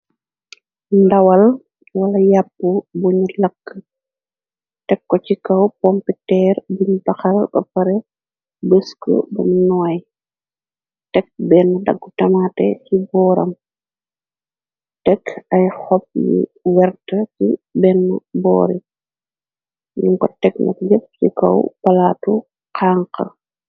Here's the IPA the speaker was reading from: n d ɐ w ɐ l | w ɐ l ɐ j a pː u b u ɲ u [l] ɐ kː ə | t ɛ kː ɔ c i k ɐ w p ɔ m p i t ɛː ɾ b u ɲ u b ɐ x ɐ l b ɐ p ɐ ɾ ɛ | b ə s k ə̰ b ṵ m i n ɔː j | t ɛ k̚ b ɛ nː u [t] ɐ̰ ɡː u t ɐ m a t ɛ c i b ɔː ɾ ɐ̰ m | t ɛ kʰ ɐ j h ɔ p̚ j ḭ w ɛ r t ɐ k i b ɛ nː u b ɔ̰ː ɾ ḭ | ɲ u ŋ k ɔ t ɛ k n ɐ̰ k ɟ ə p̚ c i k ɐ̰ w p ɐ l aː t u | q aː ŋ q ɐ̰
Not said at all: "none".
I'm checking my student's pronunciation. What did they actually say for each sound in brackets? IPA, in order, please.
l, d

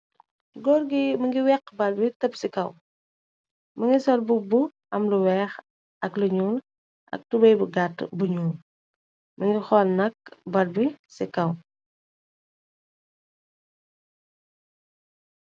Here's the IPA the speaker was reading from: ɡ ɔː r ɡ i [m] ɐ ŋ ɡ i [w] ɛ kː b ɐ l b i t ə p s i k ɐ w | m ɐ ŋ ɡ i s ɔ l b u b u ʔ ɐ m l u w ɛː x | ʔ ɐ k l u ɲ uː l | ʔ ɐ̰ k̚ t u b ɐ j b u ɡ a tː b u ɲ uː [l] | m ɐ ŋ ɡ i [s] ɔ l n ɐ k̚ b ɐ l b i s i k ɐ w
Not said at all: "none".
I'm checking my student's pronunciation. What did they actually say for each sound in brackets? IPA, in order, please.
m, w, l, x

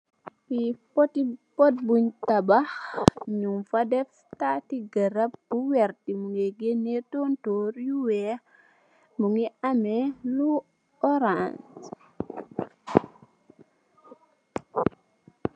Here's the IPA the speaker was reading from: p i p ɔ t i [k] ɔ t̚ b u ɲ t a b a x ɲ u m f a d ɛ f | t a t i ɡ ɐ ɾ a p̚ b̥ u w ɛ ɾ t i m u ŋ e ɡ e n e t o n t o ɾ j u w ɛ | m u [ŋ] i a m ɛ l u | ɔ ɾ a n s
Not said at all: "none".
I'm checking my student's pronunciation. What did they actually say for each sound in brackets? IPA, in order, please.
p, ŋ

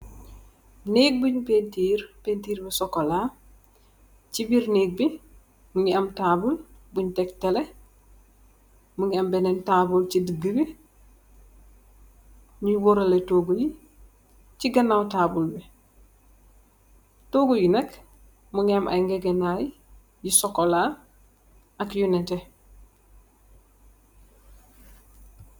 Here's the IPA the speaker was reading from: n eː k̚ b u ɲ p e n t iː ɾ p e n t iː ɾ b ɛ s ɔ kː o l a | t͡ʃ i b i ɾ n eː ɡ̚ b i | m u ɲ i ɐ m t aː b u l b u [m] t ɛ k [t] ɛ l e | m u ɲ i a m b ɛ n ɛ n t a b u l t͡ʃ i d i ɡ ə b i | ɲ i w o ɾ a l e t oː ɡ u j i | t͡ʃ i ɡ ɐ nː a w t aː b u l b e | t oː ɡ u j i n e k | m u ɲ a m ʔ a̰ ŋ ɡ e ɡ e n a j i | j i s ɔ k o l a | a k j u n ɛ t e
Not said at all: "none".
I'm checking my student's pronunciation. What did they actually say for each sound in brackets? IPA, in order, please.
ɲ, t

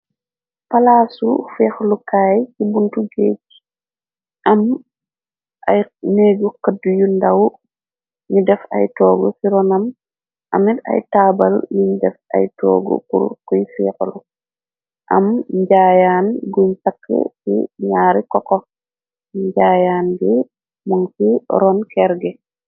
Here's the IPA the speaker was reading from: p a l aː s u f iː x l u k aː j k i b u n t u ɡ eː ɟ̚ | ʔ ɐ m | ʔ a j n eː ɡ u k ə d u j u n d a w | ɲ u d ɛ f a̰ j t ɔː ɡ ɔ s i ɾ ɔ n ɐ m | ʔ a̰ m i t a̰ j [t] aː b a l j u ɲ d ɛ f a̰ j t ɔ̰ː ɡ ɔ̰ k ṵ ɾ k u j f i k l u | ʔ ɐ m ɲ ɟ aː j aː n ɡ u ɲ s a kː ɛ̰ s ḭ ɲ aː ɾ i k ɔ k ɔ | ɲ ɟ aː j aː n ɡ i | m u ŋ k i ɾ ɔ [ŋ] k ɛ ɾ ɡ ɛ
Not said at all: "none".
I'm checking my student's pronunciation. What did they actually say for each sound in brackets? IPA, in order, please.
t, n

